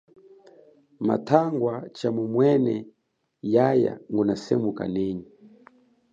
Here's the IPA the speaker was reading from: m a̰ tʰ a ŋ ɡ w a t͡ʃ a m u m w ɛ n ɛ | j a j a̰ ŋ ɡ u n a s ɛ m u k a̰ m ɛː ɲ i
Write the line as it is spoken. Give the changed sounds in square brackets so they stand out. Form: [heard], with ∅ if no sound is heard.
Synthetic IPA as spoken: m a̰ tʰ a ŋ ɡ w a t͡ʃ a m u m w ɛ n ɛ | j a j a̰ ŋ ɡ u n a s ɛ m u k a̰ [n] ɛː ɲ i